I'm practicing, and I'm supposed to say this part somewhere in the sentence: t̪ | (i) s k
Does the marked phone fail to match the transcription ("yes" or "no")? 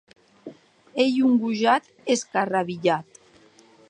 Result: yes